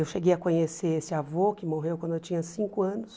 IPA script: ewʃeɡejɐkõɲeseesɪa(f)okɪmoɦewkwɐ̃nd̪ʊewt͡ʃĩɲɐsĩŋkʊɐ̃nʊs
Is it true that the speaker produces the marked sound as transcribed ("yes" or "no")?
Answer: no